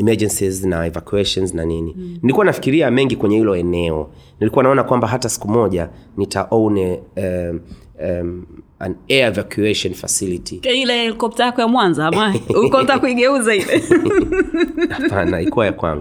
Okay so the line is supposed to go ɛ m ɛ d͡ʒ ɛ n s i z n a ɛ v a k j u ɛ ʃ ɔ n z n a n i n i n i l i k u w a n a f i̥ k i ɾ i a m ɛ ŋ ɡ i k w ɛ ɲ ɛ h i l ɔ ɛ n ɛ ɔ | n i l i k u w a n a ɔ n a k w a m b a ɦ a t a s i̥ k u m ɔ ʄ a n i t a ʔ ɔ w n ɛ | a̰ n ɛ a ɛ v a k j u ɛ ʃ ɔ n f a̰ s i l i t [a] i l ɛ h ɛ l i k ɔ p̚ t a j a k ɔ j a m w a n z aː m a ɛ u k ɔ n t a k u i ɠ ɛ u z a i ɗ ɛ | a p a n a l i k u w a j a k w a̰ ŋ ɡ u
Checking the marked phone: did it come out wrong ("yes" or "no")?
yes